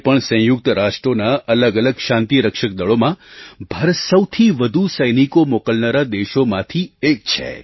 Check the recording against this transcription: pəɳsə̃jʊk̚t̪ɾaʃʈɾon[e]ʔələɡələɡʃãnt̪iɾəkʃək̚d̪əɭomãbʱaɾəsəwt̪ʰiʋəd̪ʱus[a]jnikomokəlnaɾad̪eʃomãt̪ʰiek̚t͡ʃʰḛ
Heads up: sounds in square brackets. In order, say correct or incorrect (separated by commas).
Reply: incorrect, incorrect